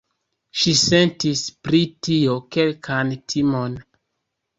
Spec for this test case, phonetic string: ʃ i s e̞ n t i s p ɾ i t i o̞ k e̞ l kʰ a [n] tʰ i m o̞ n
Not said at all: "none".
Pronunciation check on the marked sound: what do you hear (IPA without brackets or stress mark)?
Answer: n